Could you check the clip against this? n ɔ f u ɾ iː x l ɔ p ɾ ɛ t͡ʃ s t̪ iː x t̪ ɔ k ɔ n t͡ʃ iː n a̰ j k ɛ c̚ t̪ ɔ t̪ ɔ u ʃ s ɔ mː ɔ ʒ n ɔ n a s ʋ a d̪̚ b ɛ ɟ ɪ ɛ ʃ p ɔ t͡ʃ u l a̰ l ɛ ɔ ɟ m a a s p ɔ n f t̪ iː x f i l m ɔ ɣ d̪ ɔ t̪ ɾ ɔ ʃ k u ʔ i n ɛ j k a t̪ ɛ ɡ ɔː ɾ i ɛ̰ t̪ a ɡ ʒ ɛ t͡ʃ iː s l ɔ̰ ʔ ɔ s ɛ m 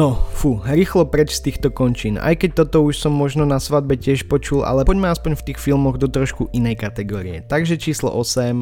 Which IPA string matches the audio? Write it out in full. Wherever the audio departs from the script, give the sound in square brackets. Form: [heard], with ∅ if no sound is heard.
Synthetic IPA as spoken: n ɔ f u ɾ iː x l ɔ p ɾ ɛ t͡ʃ s t̪ iː x t̪ ɔ k ɔ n t͡ʃ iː n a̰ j k ɛ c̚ t̪ ɔ t̪ ɔ u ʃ s ɔ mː ɔ ʒ n ɔ n a s ʋ a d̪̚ b ɛ [c] ɪ ɛ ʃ p ɔ t͡ʃ u l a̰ l ɛ ɔ ɟ m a a s p ɔ [ɲ] f t̪ iː x f i l m ɔ ɣ d̪ ɔ t̪ ɾ ɔ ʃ k u ʔ i n ɛ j k a t̪ ɛ ɡ ɔː ɾ i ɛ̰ t̪ a ɡ ʒ ɛ t͡ʃ iː s l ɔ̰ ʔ ɔ s ɛ m